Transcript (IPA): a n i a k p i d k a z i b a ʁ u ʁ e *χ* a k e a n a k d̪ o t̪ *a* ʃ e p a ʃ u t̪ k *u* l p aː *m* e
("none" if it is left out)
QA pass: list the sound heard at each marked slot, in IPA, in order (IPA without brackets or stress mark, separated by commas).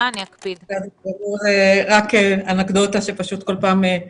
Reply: ʁ, a, o, m